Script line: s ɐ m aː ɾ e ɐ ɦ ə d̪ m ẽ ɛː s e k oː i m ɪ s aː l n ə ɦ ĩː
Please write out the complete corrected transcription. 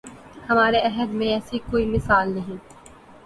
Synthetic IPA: h ɐ m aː ɾ e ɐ ɦ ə d̪ m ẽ ɛː s i k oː i m ɪ s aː l n ɐ ɦ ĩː